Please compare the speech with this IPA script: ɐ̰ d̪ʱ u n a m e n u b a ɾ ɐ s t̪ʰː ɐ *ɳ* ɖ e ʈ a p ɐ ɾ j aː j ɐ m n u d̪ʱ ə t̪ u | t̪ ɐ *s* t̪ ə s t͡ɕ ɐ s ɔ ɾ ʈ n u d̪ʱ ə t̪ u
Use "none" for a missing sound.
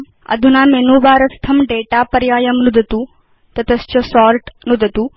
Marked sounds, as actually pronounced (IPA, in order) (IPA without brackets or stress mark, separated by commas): m, none